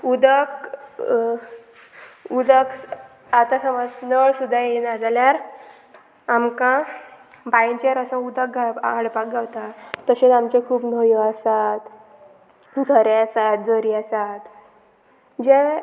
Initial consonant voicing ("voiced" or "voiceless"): voiced